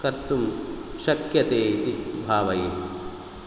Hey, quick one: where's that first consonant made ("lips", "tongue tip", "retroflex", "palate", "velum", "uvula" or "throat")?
velum